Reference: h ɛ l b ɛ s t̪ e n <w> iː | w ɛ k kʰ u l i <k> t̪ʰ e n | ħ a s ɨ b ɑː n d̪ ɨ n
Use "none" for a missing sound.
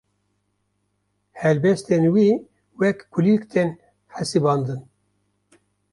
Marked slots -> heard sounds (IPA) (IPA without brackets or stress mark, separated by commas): w, k